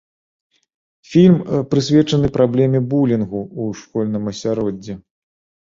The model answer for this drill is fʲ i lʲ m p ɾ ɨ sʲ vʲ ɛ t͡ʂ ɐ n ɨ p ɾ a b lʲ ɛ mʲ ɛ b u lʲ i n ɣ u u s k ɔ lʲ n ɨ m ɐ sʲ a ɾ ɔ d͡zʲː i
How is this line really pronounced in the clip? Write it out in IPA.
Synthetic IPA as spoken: fʲ i lʲ m p ɾ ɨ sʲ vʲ ɛ t͡ʂ ɐ n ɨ p ɾ a b lʲ ɛ mʲ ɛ b u lʲ i n ɣ u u ʂ k ɔ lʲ n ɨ m ɐ sʲ a ɾ ɔ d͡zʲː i

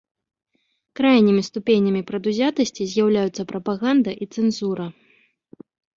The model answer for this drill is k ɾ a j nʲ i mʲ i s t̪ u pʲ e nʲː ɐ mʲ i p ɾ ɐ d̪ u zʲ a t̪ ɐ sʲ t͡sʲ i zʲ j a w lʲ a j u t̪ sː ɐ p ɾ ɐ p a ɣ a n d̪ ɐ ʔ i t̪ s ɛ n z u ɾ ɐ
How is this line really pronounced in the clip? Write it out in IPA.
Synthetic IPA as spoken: k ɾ a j nʲ i mʲ i s t̪ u pʲ e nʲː ɐ mʲ i p ɾ ɐ d̪ u zʲ a t̪ ɐ sʲ t͡sʲ i zʲ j a w lʲ a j u t̪ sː ɐ p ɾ ɐ p a ɣ a n d̪ ɐ ʔ i t̪ s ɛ n z u ɾ ɐ

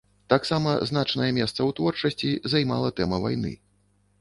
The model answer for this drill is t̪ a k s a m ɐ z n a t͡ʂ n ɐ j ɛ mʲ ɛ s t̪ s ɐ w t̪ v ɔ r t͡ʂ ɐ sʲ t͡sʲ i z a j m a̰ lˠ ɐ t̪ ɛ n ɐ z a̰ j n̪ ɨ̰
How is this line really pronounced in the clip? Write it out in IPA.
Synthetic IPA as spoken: t̪ a k s a m ɐ z n a t͡ʂ n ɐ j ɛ mʲ ɛ s t̪ s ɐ w t̪ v ɔ r t͡ʂ ɐ sʲ t͡sʲ i z a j m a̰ lˠ ɐ t̪ ɛ m ɐ v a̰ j n̪ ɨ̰

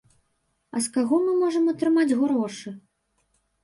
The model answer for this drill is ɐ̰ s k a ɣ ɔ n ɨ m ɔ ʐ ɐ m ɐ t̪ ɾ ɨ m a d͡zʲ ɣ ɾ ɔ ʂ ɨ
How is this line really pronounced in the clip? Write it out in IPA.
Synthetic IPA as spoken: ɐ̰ s k a ɣ ɔ m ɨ m ɔ ʐ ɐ m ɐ t̪ ɾ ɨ m a d͡zʲ ɣ ɾ ɔ ʂ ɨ

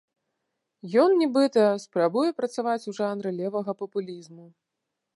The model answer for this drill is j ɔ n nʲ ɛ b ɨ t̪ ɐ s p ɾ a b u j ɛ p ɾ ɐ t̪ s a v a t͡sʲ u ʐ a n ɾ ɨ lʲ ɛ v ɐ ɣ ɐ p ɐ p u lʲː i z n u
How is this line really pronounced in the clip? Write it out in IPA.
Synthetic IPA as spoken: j ɔ n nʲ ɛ b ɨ t̪ ɐ s p ɾ a b u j ɛ p ɾ ɐ t̪ s a v a t͡sʲ u ʐ a n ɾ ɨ lʲ ɛ v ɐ ɣ ɐ p ɐ p u lʲ i z m u

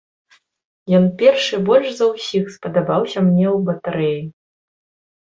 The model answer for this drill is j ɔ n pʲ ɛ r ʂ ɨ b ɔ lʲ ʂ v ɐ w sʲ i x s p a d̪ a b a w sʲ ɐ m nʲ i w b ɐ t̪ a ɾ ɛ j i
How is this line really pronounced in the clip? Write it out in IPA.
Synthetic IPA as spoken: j ɔ n pʲ ɛ r ʂ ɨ b ɔ lʲ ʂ z ɐ w sʲ i x s p ɐ d̪ a b a w sʲ ɐ m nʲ ɛ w b ɐ t̪ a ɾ ɛ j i

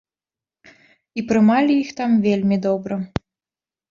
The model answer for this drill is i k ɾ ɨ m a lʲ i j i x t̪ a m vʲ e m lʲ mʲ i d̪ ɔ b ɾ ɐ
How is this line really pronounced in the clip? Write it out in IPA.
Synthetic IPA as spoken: i p ɾ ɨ m a lʲ i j i x t̪ a m vʲ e lʲ mʲ i d̪ ɔ b ɾ ɐ

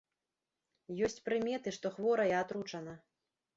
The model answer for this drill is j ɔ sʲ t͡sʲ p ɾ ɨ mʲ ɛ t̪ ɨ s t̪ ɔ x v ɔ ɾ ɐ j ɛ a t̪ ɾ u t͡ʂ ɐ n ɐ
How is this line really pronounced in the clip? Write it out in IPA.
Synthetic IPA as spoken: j ɔ sʲ t͡sʲ p ɾ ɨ mʲ ɛ t̪ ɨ ʂ t̪ ɔ x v ɔ ɾ ɐ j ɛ a t̪ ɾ u t͡ʂ ɐ n ɐ

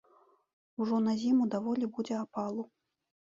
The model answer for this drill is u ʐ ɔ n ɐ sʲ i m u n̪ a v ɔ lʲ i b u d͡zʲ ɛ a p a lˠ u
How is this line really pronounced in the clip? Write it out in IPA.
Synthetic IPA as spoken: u ʐ ɔ n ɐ zʲ i m u d̪ a v ɔ lʲ i b u d͡zʲ ɛ a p a lˠ u

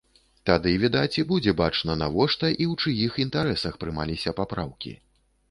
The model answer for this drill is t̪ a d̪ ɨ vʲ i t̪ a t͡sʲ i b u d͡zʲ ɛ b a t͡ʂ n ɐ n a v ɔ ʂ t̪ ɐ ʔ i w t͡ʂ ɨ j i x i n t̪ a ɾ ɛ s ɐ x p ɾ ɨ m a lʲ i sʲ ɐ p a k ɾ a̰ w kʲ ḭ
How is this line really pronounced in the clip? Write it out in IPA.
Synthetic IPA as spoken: t̪ a d̪ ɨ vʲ i d̪ a t͡sʲ i b u d͡zʲ ɛ b a t͡ʂ n ɐ n a v ɔ ʂ t̪ ɐ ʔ i w t͡ʂ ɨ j i x i n t̪ a ɾ ɛ s ɐ x p ɾ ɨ m a lʲ i sʲ ɐ p a p ɾ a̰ w kʲ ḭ

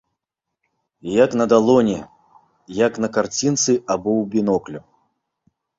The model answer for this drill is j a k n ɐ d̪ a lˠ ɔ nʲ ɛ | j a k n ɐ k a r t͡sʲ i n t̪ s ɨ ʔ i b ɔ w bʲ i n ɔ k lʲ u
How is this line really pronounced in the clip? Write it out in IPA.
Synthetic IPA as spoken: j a k n ɐ d̪ a lˠ ɔ nʲ ɛ | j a k n ɐ k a r t͡sʲ i n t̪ s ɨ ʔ a b ɔ w bʲ i n ɔ k lʲ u

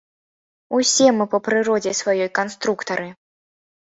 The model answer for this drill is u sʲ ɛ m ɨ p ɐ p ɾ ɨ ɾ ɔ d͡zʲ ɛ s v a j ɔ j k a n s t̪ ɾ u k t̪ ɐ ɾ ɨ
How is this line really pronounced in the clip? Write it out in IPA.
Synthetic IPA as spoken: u sʲ ɛ m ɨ p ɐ p ɾ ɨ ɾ ɔ d͡zʲ ɛ s v a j ɔ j k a n s t̪ ɾ u k t̪ ɐ ɾ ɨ

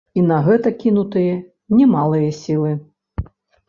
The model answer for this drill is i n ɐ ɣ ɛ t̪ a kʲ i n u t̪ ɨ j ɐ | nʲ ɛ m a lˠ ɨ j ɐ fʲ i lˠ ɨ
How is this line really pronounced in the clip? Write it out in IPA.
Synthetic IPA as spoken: i n ɐ ɣ ɛ t̪ ɐ kʲ i n u t̪ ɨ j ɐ | nʲ ɛ m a lˠ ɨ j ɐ sʲ i lˠ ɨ

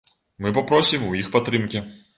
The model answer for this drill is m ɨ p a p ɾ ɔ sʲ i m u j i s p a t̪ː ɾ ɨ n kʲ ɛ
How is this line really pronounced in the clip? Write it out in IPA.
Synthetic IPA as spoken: m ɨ p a p ɾ ɔ sʲ i m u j i x p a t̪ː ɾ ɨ m kʲ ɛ

